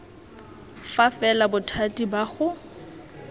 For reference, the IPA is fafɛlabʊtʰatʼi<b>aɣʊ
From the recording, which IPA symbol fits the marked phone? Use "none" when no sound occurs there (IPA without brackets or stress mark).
b